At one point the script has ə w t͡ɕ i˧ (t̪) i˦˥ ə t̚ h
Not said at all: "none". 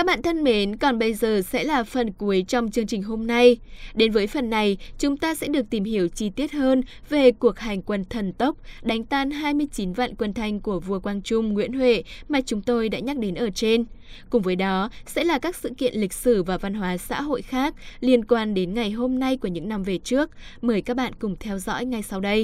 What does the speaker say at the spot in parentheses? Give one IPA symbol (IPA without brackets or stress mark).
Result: t̪